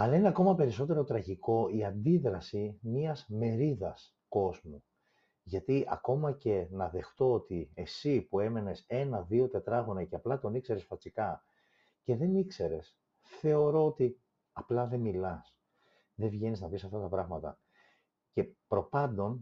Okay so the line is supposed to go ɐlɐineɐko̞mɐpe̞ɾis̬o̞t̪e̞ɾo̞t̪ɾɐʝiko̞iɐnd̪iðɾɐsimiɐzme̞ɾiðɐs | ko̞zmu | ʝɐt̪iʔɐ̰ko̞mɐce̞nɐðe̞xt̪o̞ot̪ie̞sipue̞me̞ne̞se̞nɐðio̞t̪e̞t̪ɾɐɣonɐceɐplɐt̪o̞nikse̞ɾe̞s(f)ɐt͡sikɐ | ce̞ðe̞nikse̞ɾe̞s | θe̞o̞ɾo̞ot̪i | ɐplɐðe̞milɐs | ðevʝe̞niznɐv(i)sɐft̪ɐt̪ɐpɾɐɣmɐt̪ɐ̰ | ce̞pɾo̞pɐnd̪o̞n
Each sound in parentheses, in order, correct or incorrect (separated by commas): correct, correct